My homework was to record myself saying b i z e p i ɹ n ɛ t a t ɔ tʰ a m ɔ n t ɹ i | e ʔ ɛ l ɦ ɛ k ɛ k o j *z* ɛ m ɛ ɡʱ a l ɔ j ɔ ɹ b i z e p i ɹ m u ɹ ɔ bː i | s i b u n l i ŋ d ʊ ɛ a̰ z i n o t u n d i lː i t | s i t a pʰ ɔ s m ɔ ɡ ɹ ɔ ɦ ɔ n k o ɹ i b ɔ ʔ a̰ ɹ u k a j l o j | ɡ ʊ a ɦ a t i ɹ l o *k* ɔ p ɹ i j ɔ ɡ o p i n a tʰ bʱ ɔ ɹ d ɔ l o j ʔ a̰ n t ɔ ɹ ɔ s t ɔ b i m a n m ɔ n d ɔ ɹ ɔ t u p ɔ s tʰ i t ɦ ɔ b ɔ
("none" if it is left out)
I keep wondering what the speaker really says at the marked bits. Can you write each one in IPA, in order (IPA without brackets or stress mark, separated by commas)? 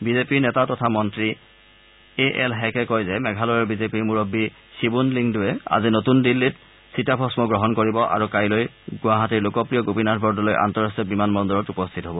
z, k